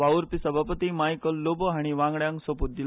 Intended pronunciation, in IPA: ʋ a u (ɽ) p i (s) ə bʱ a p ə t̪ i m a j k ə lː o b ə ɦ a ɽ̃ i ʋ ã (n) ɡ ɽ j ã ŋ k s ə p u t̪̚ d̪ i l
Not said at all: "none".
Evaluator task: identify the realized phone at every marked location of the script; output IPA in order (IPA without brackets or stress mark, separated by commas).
ɾ, s, ŋ